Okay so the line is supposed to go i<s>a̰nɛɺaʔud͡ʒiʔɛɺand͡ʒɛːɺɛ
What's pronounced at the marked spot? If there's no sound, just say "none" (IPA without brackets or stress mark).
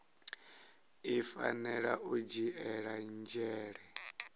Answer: f